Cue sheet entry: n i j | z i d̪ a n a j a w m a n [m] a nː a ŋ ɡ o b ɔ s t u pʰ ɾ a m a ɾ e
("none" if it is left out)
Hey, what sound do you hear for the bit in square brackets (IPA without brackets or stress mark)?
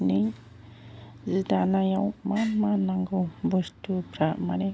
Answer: m